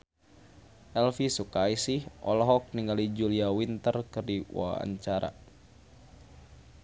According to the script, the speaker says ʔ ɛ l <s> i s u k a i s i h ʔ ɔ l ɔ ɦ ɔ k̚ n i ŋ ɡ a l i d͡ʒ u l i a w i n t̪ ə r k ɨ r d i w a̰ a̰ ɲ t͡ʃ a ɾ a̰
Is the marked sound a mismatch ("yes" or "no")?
yes